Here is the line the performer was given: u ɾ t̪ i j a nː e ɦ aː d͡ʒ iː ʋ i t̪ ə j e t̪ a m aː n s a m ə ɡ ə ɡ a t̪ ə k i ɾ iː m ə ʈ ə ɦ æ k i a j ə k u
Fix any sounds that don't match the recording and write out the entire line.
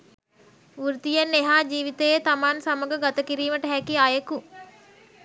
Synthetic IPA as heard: u ɾ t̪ i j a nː e ɦ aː d͡ʒ iː ʋ i t̪ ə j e t̪ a m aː n s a m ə ɡ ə ɡ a t̪ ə k i ɾ iː m ə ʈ ə ɦ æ k i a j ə k u